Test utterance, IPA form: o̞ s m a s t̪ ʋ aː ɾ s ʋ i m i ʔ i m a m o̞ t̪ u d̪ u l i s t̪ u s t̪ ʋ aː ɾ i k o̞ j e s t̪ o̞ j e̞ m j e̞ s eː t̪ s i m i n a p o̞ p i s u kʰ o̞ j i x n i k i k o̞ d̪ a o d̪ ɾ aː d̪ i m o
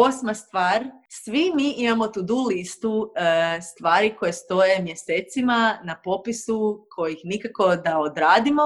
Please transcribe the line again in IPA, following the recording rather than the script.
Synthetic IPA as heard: o̞ s m a s t̪ ʋ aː ɾ s ʋ i m i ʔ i m a m o̞ t̪ u d̪ u l i s t̪ u s t̪ ʋ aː ɾ i k o̞ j e s t̪ o̞ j e̞ m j e̞ s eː t̪ s i m a n a p o̞ p i s u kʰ o̞ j i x n i k a k o̞ d̪ a o d̪ ɾ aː d̪ i m o